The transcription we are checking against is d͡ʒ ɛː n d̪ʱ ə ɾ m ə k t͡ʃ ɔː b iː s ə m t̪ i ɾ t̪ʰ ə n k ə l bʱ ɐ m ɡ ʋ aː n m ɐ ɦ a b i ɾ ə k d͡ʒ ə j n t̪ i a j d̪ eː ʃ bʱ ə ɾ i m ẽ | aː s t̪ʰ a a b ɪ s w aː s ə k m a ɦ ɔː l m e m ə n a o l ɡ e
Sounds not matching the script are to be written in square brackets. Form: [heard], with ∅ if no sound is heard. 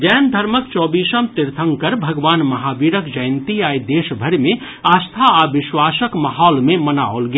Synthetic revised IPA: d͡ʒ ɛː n d̪ʱ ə ɾ m ə k t͡ʃ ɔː b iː s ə m t̪ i ɾ t̪ʰ ə [ŋ] k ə [ɾ] bʱ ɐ [∅] ɡ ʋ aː n m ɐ ɦ a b i ɾ ə k d͡ʒ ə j n t̪ i a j d̪ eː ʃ bʱ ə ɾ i m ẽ | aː s t̪ʰ a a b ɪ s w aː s ə k m a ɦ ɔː l m e m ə n a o l ɡ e